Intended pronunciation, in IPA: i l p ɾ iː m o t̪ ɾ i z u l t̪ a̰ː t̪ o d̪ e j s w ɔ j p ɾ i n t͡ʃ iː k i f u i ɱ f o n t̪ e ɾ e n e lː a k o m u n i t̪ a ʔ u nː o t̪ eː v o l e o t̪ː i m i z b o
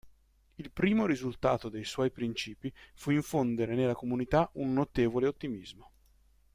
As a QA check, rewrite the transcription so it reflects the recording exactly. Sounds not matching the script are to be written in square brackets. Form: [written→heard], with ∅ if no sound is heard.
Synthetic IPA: i l p ɾ iː m o [t̪→∅] ɾ i z u l t̪ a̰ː t̪ o d̪ e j s w ɔ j p ɾ i n t͡ʃ iː [k→p] i f u i ɱ f o n [t̪→d̪] e ɾ e n e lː a k o m u n i t̪ a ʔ u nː o t̪ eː v o l e o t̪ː i m i z [b→m] o